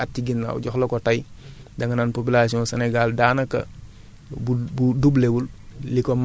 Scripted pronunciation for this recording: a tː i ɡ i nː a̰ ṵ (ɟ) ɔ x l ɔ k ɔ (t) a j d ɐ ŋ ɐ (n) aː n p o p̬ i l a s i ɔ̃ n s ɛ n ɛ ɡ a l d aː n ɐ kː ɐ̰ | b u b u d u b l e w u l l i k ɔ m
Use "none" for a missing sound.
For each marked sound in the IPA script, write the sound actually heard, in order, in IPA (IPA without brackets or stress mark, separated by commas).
ɟ, t, n